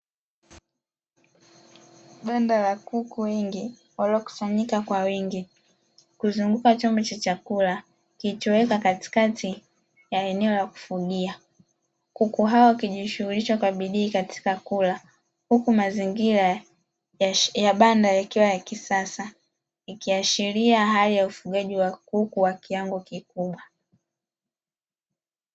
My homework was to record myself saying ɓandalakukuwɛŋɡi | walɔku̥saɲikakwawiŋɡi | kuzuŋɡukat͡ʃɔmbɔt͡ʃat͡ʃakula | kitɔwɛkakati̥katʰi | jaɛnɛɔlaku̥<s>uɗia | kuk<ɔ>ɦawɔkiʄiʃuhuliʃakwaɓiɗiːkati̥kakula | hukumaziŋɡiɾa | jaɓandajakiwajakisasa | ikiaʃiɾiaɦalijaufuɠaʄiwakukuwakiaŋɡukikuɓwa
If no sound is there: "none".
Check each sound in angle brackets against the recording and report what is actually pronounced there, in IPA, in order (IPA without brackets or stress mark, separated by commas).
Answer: f, u